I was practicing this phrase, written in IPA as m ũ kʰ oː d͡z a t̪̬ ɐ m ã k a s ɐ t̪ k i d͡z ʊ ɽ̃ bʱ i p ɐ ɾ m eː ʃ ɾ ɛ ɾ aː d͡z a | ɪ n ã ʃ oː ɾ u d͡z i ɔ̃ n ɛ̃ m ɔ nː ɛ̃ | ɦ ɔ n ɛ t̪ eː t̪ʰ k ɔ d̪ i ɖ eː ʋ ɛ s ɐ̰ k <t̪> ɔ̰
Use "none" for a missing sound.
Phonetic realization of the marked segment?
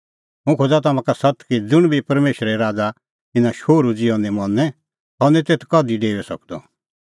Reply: d̪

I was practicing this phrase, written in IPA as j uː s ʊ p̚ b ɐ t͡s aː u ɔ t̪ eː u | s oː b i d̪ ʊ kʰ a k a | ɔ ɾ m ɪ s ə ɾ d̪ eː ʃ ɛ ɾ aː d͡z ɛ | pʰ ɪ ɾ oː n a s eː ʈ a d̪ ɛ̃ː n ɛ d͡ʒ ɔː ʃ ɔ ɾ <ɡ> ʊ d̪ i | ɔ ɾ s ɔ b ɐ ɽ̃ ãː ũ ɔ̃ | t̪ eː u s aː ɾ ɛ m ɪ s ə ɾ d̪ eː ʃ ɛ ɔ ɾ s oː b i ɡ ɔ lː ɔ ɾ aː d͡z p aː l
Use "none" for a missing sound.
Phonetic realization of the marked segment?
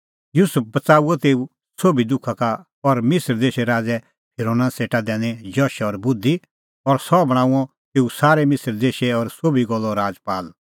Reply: b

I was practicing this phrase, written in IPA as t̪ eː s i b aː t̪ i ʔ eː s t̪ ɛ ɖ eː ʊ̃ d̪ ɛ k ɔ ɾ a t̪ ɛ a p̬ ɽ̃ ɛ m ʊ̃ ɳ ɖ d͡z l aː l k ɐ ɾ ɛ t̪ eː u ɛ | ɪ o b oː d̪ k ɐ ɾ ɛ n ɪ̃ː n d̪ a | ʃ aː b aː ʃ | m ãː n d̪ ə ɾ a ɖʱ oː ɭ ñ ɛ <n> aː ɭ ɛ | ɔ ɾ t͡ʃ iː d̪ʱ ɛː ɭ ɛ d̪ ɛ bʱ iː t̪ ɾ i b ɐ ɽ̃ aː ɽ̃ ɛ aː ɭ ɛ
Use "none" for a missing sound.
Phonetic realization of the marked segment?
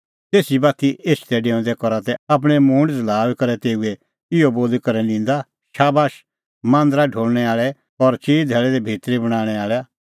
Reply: none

